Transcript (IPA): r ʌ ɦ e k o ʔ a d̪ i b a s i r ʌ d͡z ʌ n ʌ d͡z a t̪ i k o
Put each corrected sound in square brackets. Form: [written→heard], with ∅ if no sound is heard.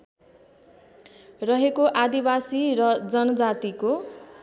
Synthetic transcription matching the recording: r ʌ ɦ e k o ʔ a d̪ i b a s i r ʌ d͡z ʌ n ʌ d͡z a t̪ i k o

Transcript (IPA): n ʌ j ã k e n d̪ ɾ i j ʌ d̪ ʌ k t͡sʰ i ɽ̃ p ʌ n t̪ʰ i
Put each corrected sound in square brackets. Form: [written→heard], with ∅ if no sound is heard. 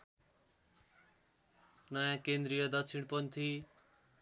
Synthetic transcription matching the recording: n ʌ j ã k e n d̪ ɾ i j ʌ d̪ ʌ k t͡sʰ i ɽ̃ p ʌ n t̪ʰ i

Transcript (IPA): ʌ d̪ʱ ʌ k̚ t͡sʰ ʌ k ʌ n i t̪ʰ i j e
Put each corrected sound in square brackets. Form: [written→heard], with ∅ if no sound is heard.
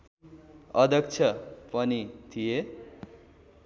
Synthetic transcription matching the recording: ʌ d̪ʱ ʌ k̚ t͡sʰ ʌ [k→p] ʌ n i t̪ʰ i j e

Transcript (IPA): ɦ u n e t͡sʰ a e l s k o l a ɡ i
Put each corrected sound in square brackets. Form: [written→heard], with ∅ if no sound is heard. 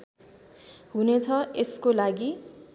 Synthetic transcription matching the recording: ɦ u n e t͡sʰ [a→ʌ] e [l→∅] s k o l a ɡ i

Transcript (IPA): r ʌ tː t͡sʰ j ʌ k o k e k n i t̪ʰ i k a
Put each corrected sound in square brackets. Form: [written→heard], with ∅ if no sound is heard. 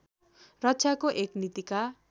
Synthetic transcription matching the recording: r ʌ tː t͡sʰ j [ʌ→a] k o [k→ʔ] e k n i [t̪ʰ→t̪] i k a

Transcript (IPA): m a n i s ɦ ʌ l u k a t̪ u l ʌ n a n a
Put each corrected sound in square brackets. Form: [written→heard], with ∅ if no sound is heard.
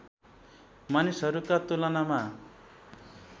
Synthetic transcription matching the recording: m a n i s ɦ ʌ [l→ɾ] u k a t̪ u l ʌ n a [n→m] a

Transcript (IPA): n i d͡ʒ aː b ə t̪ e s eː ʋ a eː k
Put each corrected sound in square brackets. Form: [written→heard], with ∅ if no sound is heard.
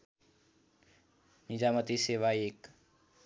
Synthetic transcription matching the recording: n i d͡ʒ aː [b→m] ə t̪ [e→i] s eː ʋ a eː k

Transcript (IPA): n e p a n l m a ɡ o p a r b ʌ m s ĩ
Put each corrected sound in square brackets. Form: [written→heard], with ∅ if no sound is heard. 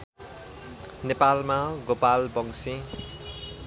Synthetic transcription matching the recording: n e p a [n→∅] l m a ɡ o p a [r→l] b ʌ [m→ŋ] s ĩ

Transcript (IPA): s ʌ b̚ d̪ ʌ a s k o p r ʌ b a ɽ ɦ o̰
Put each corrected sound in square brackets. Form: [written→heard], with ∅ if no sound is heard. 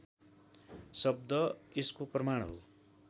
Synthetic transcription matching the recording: s ʌ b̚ d̪ ʌ [a→e] s k o p r ʌ [b→m] a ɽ ɦ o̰

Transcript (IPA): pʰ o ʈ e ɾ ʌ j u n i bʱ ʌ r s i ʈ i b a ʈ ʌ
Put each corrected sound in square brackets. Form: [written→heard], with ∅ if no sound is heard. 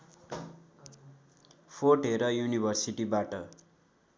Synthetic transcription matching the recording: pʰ o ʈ e ɾ ʌ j u n i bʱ ʌ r s i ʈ i b a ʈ ʌ

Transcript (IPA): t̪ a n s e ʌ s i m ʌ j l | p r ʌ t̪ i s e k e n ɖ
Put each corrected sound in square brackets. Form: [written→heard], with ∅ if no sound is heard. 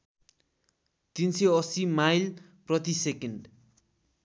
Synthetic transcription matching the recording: t̪ [a→i] n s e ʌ s i m [ʌ→a] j l | p r ʌ t̪ i s e k e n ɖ

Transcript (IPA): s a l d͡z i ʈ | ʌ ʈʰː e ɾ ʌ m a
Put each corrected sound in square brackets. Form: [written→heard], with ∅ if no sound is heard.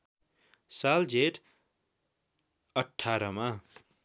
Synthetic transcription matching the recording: s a l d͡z [i→e] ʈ | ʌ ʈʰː [e→a] ɾ ʌ m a

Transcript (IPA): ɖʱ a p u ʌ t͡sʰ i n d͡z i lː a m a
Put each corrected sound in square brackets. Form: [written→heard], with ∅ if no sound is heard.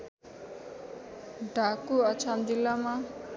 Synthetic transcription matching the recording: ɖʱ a [p→k] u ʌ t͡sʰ [i→a] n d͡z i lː a m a

